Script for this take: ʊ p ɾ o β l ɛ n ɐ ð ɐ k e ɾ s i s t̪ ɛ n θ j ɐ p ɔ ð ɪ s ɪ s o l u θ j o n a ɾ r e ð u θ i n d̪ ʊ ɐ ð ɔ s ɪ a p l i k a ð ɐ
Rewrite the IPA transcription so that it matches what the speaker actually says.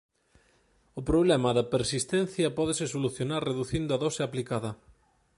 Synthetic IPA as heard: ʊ p ɾ o β l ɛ m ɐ ð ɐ p e ɾ s i s t̪ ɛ n θ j ɐ p ɔ ð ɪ s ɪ s o l u θ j o n a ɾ r e ð u θ i n d̪ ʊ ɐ ð ɔ s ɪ a p l i k a ð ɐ